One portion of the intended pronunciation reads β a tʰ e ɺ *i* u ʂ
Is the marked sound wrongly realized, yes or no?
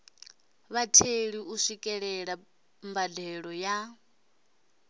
no